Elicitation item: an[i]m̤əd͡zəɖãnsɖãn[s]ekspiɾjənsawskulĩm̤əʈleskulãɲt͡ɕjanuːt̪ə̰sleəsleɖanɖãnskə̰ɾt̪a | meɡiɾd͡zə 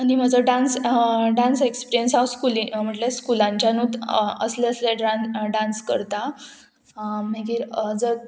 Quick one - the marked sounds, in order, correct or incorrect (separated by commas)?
correct, correct